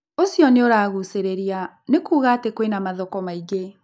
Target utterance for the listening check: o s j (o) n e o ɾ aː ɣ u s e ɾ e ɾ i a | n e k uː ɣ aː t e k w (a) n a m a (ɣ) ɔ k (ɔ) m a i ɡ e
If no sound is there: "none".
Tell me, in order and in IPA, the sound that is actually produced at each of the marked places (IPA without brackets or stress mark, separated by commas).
ɔ, e, ð, ɔ